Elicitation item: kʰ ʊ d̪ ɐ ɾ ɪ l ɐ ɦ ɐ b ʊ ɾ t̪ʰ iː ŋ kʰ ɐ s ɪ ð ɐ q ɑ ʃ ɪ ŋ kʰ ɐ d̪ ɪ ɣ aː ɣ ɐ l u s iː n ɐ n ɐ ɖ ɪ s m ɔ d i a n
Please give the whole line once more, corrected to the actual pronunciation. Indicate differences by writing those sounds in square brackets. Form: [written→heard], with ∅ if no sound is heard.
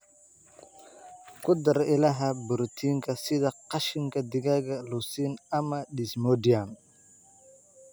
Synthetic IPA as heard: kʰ ʊ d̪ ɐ ɾ ɪ l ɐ ɦ ɐ b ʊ ɾ t̪ʰ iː ŋ kʰ ɐ s ɪ ð ɐ q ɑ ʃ ɪ ŋ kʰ ɐ d̪ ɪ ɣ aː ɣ ɐ l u s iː n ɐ [n→m] ɐ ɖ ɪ s m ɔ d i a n